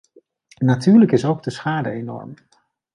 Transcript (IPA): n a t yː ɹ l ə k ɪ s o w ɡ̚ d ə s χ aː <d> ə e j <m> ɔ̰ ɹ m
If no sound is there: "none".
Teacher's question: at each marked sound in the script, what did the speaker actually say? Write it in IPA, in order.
d, n

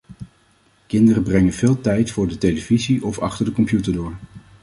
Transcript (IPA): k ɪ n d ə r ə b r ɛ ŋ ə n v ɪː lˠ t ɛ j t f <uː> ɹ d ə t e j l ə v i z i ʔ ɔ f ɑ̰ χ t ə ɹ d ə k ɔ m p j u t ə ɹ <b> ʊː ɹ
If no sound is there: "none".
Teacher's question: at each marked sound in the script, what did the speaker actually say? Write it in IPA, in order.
ʊː, d

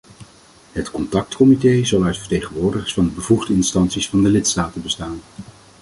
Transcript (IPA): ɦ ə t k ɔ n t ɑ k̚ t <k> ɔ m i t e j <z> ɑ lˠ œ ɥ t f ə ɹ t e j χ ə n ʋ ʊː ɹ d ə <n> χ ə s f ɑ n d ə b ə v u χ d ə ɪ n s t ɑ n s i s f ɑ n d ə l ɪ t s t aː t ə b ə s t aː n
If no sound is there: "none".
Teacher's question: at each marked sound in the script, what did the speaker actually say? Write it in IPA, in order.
k, z, none

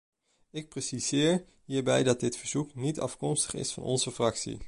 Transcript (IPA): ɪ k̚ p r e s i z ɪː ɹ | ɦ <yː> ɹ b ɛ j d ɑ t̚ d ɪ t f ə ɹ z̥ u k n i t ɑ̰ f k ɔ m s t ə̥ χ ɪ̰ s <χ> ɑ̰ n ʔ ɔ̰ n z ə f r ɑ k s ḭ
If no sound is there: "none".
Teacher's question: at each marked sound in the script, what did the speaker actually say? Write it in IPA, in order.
iː, f

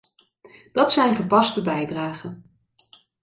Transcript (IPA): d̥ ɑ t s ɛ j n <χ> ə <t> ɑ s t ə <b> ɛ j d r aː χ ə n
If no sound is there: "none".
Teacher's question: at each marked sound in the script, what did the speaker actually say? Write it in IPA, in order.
χ, p, b

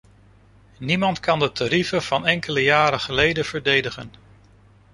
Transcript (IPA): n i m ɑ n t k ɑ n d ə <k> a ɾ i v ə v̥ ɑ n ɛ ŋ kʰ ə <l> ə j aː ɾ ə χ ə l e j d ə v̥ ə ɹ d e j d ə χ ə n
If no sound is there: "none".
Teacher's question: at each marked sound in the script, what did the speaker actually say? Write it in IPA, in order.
t, l

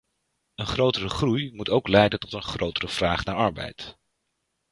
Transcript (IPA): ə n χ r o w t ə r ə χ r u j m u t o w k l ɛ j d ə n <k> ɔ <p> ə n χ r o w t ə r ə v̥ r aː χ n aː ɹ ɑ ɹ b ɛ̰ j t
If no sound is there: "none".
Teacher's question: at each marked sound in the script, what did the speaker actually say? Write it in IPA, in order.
t, t

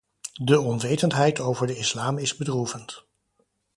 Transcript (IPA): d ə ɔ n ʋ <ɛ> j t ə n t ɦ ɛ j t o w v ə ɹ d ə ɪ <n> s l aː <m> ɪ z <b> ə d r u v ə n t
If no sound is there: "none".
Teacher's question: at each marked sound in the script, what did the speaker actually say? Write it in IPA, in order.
e, none, m, b

